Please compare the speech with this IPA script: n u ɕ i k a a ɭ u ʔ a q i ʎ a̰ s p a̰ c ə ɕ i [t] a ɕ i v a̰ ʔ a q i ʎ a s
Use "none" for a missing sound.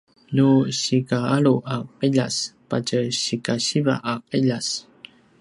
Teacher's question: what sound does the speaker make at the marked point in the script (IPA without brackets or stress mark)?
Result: k